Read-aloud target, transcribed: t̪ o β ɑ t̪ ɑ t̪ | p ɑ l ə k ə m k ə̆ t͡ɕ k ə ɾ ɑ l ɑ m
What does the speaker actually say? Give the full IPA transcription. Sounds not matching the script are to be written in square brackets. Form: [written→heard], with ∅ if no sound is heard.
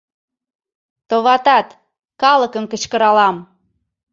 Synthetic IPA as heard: t̪ o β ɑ t̪ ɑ t̪ | [p→k] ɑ l ə k ə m k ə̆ t͡ɕ k ə ɾ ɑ l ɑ m